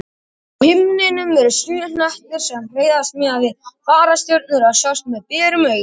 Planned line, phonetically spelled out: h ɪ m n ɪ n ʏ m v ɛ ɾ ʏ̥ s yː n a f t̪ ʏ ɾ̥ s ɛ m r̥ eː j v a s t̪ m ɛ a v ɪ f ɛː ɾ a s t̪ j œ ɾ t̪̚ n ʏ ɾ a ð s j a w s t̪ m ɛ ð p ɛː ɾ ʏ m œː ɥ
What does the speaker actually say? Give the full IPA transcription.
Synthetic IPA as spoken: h ɪ m n ɪ n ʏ m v ɛ ɾ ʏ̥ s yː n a h t̪ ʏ ɾ̥ s ɛ m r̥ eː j ð a s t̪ m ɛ a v ɪ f aː ɾ a s t̪ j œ ɾ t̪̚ n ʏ ɾ a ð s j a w s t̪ m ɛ ð p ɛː ɾ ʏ m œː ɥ